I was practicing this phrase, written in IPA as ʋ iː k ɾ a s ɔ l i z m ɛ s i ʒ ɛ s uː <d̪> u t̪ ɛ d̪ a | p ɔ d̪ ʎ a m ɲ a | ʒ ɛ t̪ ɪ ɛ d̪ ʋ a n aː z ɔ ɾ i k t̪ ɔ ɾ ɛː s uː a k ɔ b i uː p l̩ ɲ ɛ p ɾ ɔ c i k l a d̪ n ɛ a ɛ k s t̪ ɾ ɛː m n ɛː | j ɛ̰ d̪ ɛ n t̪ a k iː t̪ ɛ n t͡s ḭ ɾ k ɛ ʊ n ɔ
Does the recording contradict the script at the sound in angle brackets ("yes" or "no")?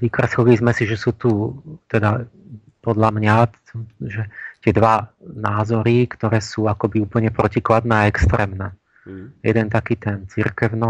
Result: yes